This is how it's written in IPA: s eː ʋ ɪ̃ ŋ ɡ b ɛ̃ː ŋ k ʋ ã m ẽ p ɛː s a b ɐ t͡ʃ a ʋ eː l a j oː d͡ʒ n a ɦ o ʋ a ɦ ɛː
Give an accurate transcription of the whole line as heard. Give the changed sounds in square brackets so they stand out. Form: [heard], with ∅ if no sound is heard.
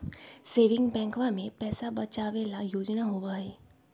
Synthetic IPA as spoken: s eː ʋ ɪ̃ ŋ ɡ b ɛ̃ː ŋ k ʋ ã m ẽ p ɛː s a b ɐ t͡ʃ a ʋ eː l a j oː d͡ʒ n a ɦ o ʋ a ɦ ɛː